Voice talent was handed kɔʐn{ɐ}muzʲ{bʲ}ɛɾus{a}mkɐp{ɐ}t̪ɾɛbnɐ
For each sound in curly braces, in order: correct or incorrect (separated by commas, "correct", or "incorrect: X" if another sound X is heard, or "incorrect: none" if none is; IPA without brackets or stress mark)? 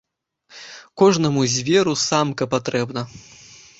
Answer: correct, incorrect: vʲ, correct, incorrect: a